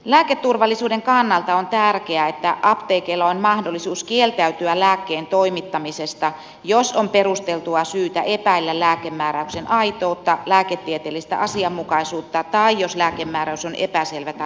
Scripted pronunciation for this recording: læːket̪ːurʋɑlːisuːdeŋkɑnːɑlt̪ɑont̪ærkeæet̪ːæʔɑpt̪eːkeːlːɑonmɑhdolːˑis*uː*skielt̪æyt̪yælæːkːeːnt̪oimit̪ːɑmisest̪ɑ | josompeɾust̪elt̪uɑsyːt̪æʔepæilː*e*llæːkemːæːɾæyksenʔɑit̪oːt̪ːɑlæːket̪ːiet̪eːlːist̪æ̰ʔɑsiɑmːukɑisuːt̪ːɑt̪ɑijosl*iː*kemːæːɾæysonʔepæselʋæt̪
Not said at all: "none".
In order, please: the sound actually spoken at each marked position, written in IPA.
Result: uː, æ, æː

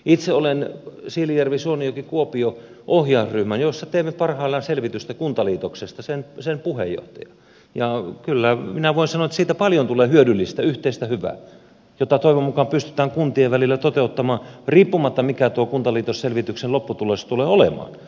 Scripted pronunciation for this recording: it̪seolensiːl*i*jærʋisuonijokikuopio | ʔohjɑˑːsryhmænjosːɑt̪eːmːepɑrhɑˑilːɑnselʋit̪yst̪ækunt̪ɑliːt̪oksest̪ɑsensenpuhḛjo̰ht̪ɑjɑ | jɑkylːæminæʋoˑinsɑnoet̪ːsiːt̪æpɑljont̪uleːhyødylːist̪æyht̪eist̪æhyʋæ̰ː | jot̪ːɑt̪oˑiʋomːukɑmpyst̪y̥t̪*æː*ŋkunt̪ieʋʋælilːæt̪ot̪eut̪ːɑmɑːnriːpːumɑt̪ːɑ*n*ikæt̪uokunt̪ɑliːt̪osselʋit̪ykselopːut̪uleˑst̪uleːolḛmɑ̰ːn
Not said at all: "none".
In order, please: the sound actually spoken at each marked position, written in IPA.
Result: i, æː, m

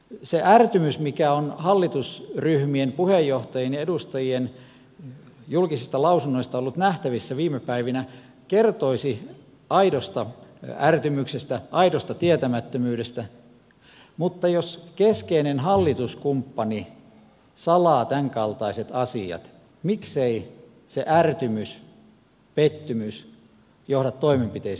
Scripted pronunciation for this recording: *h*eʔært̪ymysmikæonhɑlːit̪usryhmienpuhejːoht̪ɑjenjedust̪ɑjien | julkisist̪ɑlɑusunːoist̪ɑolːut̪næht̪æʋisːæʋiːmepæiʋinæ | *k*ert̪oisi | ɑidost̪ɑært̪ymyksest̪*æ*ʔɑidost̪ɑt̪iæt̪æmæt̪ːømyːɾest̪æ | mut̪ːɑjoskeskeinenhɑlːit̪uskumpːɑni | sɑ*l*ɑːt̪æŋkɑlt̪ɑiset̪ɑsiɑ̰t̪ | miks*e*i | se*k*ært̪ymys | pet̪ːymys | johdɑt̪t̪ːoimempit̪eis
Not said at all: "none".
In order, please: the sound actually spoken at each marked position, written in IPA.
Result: s, k, æ, l, e, ʔ

